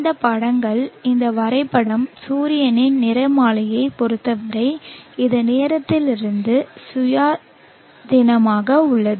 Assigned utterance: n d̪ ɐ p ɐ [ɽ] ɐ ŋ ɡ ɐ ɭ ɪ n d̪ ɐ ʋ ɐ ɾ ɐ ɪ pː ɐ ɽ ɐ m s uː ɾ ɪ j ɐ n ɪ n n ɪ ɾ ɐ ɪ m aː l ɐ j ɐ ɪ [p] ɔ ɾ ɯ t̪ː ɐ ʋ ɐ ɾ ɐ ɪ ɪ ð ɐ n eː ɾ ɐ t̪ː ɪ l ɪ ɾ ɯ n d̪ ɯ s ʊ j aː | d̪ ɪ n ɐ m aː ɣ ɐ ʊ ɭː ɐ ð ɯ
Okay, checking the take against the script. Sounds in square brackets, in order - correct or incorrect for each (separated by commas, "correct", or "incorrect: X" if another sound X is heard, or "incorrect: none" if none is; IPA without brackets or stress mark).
correct, correct